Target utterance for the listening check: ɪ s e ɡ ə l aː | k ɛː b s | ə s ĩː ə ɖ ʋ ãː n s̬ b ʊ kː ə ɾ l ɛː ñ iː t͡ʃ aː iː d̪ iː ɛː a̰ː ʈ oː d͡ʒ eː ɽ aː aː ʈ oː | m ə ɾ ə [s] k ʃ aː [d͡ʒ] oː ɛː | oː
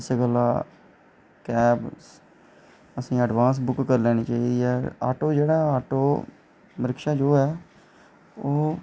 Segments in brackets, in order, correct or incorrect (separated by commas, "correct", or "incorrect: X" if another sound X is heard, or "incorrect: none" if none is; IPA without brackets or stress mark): incorrect: none, correct